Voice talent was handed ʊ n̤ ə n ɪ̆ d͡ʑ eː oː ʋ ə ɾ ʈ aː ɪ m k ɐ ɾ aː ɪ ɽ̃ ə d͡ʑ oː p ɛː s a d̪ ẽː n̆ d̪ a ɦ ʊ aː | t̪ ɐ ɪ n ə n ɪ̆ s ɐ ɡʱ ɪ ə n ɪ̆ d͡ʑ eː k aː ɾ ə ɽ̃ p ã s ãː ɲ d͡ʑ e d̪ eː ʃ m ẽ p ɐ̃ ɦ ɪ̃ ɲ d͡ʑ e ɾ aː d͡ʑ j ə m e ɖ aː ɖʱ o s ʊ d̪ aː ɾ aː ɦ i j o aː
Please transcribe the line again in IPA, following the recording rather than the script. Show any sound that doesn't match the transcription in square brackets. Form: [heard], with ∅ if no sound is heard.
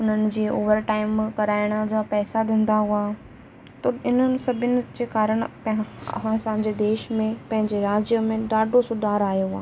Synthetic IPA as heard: ʊ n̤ ə n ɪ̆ d͡ʑ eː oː ʋ ə ɾ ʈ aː ɪ m k ɐ ɾ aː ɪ ɽ̃ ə d͡ʑ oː p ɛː s a d̪ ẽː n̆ d̪ a ɦ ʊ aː | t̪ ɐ ɪ n ə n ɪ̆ s ɐ [bʱ] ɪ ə n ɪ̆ d͡ʑ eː k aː ɾ ə ɽ̃ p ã s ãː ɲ d͡ʑ e d̪ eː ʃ m ẽ p ɐ̃ ɦ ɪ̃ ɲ d͡ʑ e ɾ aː d͡ʑ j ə m [ẽ] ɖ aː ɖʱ o s ʊ d̪ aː ɾ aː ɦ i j o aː